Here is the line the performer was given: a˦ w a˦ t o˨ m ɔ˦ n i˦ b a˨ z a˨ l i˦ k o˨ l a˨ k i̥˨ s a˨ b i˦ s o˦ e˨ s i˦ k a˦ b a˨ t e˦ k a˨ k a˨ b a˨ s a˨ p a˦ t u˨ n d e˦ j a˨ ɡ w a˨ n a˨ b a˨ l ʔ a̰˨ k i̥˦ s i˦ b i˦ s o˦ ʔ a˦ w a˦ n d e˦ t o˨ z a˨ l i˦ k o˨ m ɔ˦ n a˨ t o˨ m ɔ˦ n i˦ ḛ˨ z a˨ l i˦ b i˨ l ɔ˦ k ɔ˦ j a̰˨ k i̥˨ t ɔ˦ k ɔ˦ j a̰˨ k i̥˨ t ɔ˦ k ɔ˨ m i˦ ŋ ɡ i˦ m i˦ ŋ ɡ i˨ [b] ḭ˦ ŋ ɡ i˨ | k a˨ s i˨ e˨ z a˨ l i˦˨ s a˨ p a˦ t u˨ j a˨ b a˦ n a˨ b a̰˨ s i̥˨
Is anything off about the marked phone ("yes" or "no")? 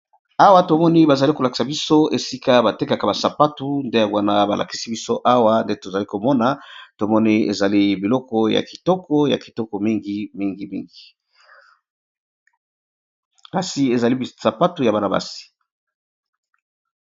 yes